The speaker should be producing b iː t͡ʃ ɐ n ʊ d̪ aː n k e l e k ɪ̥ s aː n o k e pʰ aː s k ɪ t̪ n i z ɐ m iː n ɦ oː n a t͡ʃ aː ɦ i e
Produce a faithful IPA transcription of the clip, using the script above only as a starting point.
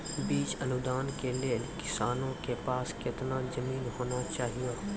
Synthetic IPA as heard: b iː t͡ʃ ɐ n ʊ d̪ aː n k e l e k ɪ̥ s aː n õ k e p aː s k ɪ t̪ n a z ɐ m iː n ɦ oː n a t͡ʃ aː ɦ i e

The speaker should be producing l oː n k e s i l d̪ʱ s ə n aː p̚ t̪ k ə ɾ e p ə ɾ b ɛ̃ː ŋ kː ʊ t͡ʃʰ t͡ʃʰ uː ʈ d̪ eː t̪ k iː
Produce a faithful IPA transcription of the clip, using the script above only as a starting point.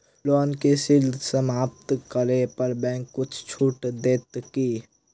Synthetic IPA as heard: l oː n k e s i l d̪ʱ s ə m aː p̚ t̪ k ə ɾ e p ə ɾ b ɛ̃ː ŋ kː ʊ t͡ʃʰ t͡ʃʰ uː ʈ d̪ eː t̪ k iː

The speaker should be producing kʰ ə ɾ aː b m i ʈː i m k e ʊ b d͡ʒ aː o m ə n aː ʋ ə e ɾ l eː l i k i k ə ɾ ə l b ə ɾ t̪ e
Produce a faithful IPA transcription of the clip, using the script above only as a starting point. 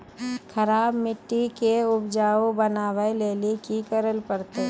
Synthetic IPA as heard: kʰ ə ɾ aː b m ɪ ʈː i k e ʊ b d͡ʒ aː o b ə n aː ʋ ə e l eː l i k i k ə ɾ ə l p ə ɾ t̪ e

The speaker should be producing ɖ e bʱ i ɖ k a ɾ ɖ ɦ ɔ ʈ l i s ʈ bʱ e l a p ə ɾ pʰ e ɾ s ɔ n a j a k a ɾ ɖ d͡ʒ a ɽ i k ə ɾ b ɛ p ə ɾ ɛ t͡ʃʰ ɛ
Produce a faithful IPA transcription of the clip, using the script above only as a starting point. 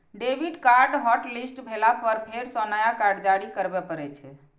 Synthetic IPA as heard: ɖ e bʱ i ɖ k a ɾ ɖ ɦ ɔ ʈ l i s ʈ bʱ e l a p ə ɾ pʰ e ɾ s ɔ n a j a k a ɾ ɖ d͡ʒ a ɽ i k ə ɾ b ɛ p ə ɾ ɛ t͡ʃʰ ɛ

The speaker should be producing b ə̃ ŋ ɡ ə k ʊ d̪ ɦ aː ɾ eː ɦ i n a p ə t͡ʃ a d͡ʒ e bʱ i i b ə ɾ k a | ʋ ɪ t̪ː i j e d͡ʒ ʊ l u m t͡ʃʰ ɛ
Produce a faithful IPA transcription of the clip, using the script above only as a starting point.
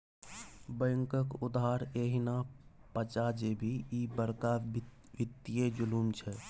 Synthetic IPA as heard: b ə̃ ŋ k ə k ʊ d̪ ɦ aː ɾ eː ɦ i n a p ə t͡ʃ a d͡ʒ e bʱ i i b ə ɾ k a | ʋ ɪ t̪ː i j e d͡ʒ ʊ l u m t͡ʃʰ ɛ

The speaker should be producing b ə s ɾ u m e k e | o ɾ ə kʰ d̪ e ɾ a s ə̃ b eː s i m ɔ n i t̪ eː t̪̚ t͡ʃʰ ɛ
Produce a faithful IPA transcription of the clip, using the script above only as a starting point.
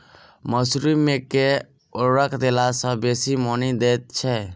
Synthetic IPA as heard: m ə s ɾ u m e k e | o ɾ ə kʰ d̪ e l a s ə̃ b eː s i m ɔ n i d̪ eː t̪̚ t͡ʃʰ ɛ

